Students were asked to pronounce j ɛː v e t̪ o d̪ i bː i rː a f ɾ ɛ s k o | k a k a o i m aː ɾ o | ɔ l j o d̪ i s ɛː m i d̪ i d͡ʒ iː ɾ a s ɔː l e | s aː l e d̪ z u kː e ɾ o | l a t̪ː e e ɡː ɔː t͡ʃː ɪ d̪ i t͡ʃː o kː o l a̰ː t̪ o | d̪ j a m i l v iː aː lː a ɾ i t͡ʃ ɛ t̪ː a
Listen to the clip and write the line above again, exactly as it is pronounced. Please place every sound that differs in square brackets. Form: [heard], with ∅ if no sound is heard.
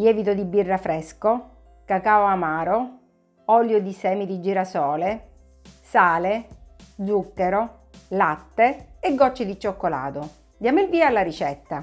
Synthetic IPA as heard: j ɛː v [i] t̪ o d̪ i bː i rː a f ɾ ɛ s k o | k a k a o [a] m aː ɾ o | ɔ l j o d̪ i s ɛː m i d̪ i d͡ʒ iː ɾ a s ɔː l e | s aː l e d̪ z u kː e ɾ o | l a t̪ː e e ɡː [ɔ] t͡ʃː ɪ d̪ i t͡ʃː o kː o l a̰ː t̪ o | d̪ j a m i l v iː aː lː a ɾ i t͡ʃ ɛ t̪ː a